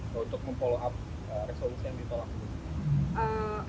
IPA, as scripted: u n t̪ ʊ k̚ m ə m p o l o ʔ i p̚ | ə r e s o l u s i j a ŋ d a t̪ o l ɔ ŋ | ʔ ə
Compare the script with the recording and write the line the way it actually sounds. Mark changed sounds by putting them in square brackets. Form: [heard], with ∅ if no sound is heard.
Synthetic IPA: u n t̪ ʊ k̚ m ə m p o l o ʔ [a] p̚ | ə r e s o l u s i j a ŋ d [i] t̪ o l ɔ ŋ | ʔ ə